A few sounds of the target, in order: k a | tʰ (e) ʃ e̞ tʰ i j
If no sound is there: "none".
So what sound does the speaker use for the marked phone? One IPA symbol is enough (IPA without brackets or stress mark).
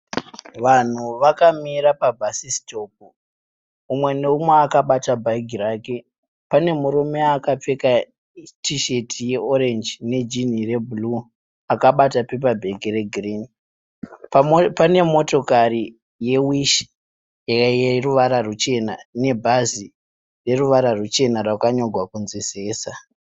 i